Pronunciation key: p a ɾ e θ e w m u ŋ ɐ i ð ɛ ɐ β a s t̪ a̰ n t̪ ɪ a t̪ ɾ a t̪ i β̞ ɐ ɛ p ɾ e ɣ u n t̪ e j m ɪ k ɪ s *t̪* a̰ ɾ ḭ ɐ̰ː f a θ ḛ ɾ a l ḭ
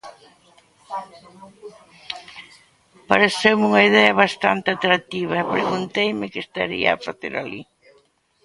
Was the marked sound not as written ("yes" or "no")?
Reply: no